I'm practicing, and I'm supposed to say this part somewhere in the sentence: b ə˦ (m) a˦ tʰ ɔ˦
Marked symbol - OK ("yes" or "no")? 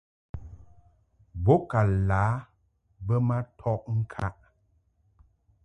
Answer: yes